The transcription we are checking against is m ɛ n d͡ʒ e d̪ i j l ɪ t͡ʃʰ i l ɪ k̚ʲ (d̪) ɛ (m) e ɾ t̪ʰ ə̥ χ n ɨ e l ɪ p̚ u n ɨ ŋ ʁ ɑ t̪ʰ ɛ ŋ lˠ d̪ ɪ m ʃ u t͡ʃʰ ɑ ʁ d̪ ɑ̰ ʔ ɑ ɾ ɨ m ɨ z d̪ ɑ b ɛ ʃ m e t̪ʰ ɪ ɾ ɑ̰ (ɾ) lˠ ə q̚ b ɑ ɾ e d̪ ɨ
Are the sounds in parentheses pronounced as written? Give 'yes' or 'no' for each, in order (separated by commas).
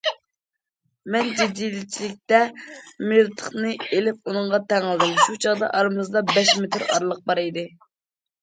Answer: no, yes, yes